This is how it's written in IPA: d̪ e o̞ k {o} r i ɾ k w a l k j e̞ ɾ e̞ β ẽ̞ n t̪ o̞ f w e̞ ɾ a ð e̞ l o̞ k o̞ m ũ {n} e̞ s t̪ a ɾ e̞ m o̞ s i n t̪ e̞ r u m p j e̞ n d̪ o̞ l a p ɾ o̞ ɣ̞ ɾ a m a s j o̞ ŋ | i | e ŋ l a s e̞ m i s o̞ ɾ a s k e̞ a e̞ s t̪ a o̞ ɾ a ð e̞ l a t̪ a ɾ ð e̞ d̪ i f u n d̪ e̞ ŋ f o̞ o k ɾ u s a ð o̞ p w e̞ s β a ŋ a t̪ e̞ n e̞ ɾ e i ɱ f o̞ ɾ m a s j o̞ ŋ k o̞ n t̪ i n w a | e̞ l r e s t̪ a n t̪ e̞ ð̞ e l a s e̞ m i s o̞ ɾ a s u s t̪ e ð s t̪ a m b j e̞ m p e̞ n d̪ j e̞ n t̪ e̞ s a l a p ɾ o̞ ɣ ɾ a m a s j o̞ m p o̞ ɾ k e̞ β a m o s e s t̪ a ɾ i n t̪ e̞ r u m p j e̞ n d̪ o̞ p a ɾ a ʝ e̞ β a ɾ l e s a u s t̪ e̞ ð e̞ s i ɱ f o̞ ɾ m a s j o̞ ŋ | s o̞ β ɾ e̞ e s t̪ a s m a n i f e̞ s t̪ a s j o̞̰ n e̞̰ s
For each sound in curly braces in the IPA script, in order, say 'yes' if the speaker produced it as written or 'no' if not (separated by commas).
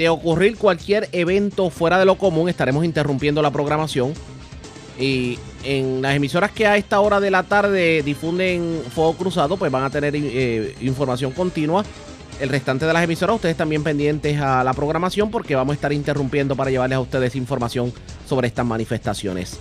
no, no